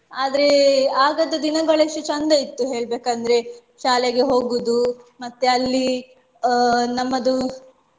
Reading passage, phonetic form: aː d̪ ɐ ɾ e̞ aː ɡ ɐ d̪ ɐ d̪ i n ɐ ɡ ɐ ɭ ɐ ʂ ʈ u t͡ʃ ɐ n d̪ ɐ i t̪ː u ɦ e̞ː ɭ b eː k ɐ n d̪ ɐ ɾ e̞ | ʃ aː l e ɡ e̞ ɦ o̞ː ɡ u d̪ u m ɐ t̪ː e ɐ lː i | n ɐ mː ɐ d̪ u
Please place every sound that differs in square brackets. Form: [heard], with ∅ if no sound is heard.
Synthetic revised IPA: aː d̪ ɐ ɾ e̞ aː ɡ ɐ d̪ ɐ d̪ i n ɐ ɡ ɐ ɭ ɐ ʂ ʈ u t͡ʃ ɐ n d̪ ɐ i t̪ː u ɦ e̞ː ɭ b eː k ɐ n d̪ ɐ ɾ e̞ | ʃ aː l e ɡ e̞ ɦ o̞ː ɡ u d̪ u m ɐ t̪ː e ɐ lː i | n ɐ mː ɐ d̪ u